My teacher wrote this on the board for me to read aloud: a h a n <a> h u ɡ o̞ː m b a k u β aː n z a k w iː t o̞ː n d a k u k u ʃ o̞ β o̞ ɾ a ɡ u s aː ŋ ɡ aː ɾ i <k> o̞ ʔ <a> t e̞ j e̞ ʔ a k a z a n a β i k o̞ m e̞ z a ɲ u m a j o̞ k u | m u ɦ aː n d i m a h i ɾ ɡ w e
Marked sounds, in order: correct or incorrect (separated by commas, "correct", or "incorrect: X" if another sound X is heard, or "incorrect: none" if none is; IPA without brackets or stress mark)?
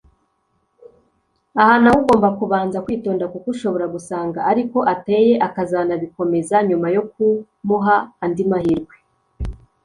correct, correct, correct